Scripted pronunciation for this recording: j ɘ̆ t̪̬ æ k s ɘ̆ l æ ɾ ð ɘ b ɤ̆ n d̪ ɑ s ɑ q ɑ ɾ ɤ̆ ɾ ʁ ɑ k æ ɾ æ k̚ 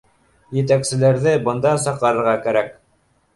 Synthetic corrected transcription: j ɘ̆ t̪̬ æ k s ɘ̆ l æ ɾ ð ɘ b ɤ̆ n d̪ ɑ s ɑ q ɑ ɾ ɤ̆ ɾ ʁ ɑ k æ ɾ æ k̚